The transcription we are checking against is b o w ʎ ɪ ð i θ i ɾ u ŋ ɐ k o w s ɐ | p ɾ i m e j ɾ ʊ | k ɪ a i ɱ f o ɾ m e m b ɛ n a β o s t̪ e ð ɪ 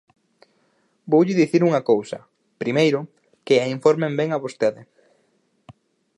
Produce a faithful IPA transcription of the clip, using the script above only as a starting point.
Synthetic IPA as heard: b o w ʎ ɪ ð i θ i ɾ u ŋ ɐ k o w s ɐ | p ɾ i m e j ɾ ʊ | k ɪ a i ɱ f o ɾ m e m b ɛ ŋ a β o s t̪ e ð ɪ